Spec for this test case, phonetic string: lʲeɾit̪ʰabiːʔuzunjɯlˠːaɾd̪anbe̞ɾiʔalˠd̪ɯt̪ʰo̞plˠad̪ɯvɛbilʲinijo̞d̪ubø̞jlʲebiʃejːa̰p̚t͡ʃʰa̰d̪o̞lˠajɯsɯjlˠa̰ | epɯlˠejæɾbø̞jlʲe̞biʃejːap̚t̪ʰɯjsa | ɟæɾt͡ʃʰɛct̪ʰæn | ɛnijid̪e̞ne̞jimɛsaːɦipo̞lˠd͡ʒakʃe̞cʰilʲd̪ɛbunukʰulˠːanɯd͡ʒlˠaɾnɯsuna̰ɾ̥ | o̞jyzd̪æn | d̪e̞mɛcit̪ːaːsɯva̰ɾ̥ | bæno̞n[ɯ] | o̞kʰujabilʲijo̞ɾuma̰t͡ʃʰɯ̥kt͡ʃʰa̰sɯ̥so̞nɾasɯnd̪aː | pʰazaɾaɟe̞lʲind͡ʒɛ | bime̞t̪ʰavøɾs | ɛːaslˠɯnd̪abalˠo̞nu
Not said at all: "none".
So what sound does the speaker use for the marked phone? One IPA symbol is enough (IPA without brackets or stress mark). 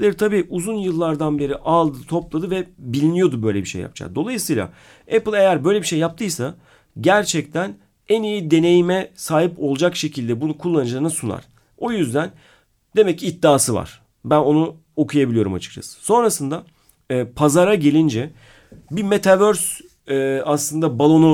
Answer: u